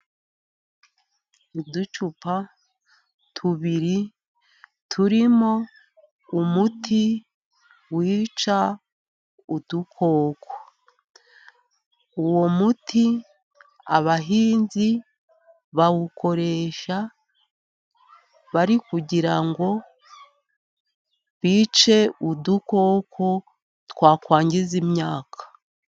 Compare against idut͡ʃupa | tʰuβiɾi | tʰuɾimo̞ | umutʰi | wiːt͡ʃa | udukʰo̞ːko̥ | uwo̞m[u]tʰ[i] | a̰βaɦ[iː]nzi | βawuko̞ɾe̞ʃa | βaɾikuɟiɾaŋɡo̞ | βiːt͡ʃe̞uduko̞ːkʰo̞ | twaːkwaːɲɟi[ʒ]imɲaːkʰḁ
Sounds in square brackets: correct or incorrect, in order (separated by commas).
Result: correct, correct, correct, incorrect